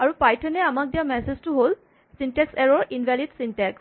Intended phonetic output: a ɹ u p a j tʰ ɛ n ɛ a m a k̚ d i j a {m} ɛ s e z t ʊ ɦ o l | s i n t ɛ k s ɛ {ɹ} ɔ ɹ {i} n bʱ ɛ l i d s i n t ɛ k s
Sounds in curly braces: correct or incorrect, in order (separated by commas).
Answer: correct, correct, correct